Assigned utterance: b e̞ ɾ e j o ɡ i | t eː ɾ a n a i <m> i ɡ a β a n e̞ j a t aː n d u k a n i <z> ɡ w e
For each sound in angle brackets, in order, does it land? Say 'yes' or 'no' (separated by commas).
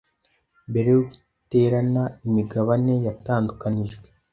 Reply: yes, no